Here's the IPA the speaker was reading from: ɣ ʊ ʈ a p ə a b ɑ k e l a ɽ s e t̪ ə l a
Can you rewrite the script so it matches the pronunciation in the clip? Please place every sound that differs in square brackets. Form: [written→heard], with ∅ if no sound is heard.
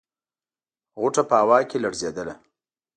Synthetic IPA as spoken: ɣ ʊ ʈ a p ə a [b→w] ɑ k e l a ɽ [s→z] e [t̪→d̪] ə l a